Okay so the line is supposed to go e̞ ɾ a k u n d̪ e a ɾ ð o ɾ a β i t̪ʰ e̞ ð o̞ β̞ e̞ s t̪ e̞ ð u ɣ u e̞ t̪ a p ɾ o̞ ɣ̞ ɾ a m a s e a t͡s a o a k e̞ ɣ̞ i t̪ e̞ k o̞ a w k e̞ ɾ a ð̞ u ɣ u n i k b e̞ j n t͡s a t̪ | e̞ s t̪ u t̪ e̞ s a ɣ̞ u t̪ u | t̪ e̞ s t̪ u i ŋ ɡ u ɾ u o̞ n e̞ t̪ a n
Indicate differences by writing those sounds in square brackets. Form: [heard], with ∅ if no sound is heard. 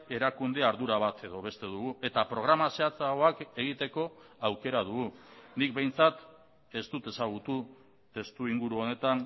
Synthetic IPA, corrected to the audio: e̞ ɾ a k u n d̪ e a ɾ ð [u] ɾ a β [a] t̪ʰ e̞ ð o̞ β̞ e̞ s t̪ e̞ ð u ɣ u e̞ t̪ a p ɾ o̞ ɣ̞ ɾ a m a s e a t͡s a o a k e̞ ɣ̞ i t̪ e̞ k o̞ a w k e̞ ɾ a ð̞ u ɣ u n i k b e̞ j n t͡s a t̪ | e̞ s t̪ u t̪ e̞ s a ɣ̞ u t̪ u | t̪ e̞ s t̪ u i ŋ ɡ u ɾ u o̞ n e̞ t̪ a n